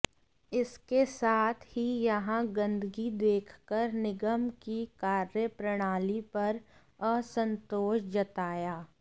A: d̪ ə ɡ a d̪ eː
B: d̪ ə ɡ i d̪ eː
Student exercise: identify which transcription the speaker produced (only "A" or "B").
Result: B